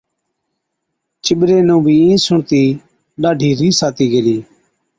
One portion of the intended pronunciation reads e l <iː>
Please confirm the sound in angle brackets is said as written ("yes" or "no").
yes